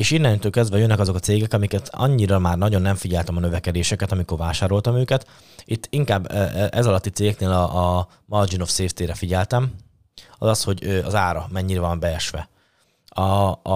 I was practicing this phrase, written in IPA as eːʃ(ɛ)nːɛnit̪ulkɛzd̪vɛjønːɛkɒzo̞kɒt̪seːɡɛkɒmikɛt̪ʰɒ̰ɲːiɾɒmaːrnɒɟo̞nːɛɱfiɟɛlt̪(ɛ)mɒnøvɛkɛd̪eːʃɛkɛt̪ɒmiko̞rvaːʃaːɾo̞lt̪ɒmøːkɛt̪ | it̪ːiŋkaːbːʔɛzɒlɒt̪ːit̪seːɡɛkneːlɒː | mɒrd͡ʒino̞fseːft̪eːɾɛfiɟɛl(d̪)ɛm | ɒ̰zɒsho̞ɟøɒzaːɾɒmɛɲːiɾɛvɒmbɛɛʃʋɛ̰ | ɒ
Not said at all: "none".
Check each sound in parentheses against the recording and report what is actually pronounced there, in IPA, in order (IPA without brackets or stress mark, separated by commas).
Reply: i, ɛ, t̪